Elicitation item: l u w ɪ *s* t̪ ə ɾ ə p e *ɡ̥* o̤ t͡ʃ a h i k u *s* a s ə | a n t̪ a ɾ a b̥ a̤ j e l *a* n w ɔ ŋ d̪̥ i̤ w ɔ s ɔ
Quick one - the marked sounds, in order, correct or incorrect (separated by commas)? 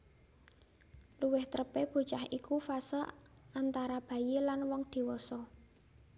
incorrect, incorrect, incorrect, correct